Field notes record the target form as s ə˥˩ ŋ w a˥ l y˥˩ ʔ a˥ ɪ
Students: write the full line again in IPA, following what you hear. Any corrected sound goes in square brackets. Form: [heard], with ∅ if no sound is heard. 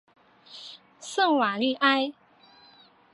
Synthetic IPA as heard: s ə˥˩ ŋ w [a˨˩] l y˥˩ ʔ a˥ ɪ